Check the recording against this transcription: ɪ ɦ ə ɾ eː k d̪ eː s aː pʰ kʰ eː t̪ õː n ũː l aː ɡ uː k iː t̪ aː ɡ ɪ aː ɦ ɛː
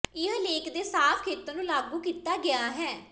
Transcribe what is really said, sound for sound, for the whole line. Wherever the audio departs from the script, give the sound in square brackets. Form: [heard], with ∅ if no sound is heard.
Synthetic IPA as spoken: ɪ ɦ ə [l] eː k d̪ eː s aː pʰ kʰ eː t̪ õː n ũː l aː ɡ uː k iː t̪ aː ɡ ɪ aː ɦ ɛː